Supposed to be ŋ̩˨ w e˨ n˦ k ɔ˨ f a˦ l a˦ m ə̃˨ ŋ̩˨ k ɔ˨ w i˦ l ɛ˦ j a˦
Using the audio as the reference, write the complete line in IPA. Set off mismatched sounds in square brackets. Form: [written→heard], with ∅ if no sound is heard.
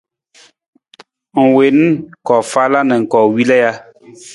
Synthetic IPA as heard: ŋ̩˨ w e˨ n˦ k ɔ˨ f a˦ l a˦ [m→n] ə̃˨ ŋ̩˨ k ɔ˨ w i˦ l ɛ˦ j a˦